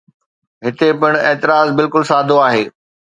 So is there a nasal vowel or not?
no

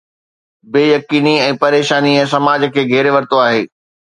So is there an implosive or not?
no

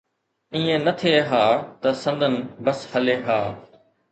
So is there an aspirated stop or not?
yes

